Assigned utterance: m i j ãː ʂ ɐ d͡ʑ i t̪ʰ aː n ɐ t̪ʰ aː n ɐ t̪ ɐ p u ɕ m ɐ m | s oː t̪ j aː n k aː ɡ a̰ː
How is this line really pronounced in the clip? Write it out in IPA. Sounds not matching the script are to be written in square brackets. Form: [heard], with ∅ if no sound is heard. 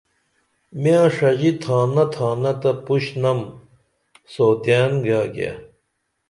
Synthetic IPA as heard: m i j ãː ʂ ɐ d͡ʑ i t̪ʰ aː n ɐ t̪ʰ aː n ɐ t̪ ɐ p u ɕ [n] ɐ m | s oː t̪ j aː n [ɡ] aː ɡ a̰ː